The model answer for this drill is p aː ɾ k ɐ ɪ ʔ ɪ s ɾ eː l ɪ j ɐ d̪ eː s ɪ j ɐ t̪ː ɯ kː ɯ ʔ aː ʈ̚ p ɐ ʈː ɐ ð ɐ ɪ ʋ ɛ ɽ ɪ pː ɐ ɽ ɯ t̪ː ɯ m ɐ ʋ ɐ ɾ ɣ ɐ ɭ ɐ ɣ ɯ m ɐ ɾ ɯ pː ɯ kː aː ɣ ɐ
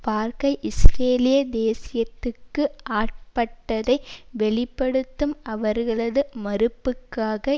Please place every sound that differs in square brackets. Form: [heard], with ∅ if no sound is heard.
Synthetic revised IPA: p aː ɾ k ɐ ɪ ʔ ɪ s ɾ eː l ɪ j ɐ d̪ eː s ɪ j ɐ t̪ː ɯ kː ɯ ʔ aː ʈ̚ p ɐ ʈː ɐ ð ɐ ɪ ʋ ɛ [ɭ] ɪ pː ɐ ɽ ɯ t̪ː ɯ m ɐ ʋ ɐ ɾ ɣ ɐ ɭ ɐ [ð] ɯ m ɐ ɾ ɯ pː ɯ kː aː ɣ ɐ